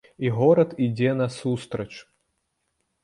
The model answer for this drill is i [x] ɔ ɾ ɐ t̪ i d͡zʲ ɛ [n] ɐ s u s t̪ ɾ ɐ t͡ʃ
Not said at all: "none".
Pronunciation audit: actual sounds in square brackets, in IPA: ɣ, n

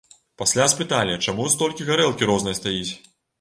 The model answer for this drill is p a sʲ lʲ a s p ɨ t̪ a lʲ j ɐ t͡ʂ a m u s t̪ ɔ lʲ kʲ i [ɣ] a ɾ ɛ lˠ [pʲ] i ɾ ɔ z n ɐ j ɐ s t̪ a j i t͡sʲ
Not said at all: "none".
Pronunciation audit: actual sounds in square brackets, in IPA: ɣ, kʲ

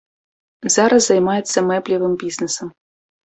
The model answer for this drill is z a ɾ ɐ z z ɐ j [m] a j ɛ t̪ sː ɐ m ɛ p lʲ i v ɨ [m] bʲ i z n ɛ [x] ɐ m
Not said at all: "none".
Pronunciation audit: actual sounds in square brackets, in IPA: m, m, s

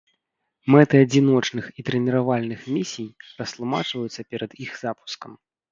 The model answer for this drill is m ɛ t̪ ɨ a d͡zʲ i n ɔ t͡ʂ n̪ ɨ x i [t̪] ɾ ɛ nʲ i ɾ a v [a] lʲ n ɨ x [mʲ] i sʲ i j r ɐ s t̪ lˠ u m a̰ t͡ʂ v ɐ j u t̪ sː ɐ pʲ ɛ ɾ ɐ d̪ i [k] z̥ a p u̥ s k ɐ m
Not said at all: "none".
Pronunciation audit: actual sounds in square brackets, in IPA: t̪, a, mʲ, x

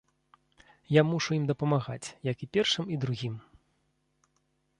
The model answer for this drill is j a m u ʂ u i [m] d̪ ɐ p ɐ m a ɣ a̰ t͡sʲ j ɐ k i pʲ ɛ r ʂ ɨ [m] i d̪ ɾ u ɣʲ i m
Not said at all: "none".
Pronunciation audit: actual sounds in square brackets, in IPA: m, m

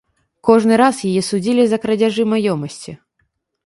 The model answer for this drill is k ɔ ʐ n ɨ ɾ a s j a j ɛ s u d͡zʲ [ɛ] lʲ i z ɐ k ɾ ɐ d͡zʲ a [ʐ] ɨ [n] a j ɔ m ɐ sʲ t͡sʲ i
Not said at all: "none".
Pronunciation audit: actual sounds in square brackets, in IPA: i, ʐ, m

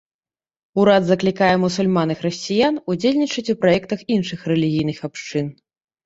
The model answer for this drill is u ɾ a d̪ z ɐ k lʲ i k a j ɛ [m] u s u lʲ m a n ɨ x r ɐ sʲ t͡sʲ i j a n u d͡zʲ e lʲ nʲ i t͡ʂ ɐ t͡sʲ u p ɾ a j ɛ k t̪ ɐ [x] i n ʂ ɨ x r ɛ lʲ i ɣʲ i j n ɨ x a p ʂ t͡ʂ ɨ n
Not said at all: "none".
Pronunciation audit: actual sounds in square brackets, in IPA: m, x

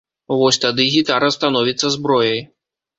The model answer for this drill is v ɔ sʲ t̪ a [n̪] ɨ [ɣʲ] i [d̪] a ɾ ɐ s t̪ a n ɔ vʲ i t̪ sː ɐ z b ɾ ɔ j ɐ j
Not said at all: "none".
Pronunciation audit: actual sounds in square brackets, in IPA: d̪, ɣʲ, t̪

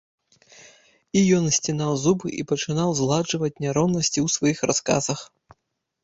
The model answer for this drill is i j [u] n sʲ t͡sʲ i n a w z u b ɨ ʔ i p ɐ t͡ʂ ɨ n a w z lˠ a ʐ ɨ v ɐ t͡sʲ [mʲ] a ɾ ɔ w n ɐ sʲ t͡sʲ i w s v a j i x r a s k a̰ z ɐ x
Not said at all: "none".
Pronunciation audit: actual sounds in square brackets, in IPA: ɔ, nʲ

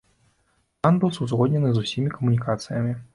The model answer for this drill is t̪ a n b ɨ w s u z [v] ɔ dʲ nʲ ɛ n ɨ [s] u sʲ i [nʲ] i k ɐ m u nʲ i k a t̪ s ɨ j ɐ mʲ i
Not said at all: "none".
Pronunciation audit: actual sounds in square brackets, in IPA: ɣ, z, mʲ

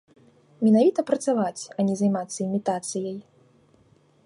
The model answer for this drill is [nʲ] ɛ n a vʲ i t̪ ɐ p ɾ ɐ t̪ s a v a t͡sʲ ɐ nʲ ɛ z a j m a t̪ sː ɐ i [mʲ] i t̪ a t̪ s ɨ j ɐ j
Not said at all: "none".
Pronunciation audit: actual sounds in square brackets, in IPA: mʲ, mʲ

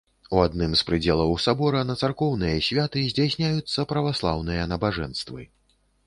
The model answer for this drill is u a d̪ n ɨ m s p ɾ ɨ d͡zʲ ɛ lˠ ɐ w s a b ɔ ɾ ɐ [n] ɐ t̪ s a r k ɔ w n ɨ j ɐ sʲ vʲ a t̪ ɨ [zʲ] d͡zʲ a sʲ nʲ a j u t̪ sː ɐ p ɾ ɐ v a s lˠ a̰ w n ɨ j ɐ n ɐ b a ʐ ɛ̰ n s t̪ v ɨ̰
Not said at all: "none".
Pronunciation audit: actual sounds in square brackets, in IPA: n, zʲ

